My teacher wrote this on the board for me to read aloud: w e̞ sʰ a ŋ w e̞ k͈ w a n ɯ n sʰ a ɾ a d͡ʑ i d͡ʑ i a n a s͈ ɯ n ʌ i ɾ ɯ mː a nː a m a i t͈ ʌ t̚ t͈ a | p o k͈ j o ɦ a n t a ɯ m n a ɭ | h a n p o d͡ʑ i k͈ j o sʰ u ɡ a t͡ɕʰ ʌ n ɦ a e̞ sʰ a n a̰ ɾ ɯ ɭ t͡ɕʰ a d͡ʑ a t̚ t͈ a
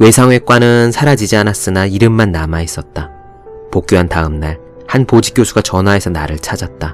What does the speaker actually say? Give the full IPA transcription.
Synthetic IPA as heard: w e̞ sʰ a ŋ w e̞ k͈ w a n ɯ n sʰ a ɾ a d͡ʑ i d͡ʑ i a n a s͈ ɯ n a i ɾ ɯ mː a nː a m a i s͈ ʌ t̚ t͈ a | p o k͈ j o ɦ a n t a ɯ m n a ɭ | h a n p o d͡ʑ i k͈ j o sʰ u ɡ a t͡ɕ ʌ n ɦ a e̞ sʰ ʌ n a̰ ɾ ɯ ɭ t͡ɕʰ a d͡ʑ a t̚ t͈ a